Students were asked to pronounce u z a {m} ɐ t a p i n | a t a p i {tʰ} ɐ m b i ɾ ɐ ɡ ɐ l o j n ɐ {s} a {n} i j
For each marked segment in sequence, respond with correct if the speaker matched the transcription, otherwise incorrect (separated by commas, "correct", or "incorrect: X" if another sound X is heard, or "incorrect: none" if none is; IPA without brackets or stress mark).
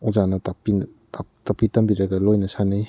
incorrect: n, incorrect: t, correct, correct